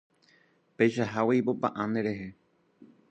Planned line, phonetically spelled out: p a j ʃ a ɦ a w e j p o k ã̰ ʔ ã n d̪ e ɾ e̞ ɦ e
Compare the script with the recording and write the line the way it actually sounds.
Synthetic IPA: p e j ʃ a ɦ a w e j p o p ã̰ ʔ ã n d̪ e ɾ e̞ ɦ e